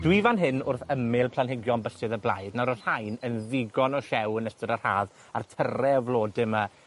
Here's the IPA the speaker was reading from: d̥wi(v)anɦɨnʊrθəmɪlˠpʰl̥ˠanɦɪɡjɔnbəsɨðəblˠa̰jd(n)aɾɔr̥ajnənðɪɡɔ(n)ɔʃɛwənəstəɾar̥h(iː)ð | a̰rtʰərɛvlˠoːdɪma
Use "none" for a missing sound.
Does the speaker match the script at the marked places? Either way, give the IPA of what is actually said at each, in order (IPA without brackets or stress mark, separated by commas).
v, n, n, aː